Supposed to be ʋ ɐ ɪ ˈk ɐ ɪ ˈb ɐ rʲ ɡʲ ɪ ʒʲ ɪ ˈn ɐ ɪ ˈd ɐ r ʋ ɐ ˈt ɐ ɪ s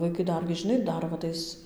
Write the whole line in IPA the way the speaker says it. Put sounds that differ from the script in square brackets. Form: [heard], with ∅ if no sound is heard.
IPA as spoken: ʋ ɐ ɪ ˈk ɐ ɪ [ˈd] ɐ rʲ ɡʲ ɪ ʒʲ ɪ ˈn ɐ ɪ ˈd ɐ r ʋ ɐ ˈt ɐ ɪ s